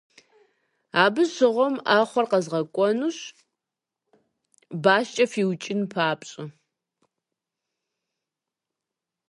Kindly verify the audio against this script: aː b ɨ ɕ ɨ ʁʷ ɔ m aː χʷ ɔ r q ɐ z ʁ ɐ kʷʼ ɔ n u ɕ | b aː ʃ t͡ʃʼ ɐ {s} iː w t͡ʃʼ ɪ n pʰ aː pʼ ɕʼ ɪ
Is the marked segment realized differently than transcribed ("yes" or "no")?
yes